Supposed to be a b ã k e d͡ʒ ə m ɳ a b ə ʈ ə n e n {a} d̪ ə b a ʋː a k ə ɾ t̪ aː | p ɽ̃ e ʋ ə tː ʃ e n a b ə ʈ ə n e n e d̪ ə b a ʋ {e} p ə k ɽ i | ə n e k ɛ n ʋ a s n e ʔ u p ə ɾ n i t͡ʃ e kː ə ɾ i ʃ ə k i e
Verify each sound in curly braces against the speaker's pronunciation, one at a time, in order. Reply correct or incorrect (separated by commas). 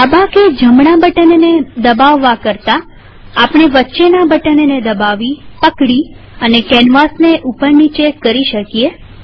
incorrect, incorrect